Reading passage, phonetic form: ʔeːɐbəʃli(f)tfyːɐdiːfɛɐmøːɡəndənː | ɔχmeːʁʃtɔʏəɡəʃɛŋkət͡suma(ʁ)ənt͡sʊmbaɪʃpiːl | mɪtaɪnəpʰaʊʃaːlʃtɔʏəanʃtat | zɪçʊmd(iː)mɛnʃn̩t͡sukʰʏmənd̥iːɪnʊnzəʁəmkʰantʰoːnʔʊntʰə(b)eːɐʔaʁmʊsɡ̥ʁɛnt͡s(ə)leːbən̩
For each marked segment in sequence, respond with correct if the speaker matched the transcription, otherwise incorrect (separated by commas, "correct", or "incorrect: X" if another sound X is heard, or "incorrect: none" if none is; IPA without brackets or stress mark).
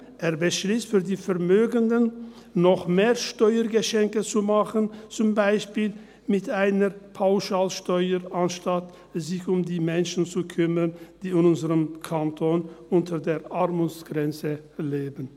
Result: incorrect: s, incorrect: χ, correct, incorrect: d, correct